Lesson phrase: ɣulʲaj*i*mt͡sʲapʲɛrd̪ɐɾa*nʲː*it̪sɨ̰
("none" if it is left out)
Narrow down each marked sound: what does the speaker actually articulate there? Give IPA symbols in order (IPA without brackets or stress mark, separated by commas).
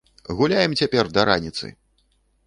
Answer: ɛ, nʲ